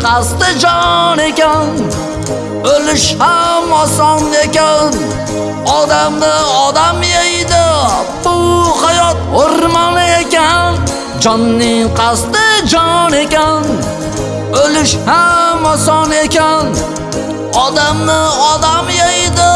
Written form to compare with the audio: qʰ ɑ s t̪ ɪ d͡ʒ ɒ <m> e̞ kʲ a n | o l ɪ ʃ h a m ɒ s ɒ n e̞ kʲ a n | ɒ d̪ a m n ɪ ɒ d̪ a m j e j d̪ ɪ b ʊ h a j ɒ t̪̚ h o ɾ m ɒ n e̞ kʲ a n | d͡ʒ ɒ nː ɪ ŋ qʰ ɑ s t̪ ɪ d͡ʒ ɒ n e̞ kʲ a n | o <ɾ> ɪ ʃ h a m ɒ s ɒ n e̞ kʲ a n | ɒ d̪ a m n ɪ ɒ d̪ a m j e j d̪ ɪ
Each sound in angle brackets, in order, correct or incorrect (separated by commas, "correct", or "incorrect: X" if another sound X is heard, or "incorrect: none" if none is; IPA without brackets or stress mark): incorrect: n, incorrect: l